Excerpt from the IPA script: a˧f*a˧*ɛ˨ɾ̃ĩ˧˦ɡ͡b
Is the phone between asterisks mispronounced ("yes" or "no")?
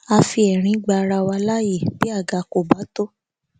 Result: yes